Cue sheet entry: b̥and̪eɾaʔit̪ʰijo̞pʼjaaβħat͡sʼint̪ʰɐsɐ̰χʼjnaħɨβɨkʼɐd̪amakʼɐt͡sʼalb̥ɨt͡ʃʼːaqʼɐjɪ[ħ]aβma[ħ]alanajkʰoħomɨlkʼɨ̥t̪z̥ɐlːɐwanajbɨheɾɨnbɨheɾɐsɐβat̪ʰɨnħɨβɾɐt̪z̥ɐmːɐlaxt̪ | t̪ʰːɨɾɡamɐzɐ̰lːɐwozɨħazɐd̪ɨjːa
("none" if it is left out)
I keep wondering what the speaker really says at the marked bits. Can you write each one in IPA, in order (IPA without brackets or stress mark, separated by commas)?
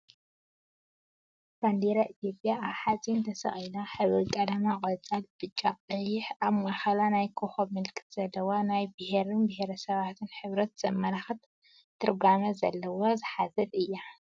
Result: ħ, x